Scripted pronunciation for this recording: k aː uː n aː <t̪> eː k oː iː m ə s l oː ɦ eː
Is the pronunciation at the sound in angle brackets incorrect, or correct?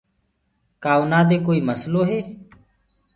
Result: incorrect